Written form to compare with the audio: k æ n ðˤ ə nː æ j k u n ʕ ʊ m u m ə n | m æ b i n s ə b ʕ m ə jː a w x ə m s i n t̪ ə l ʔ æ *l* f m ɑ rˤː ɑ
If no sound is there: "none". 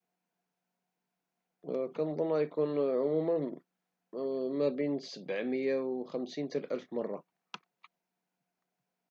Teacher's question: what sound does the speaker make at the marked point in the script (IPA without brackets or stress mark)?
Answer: l